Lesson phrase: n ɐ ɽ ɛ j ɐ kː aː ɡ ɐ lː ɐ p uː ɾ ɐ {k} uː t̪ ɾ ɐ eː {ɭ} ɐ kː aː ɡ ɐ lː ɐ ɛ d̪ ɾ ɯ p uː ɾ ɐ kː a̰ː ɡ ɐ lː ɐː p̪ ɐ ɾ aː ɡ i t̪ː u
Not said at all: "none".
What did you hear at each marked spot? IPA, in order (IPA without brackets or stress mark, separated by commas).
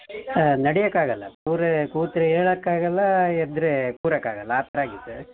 k, ɭ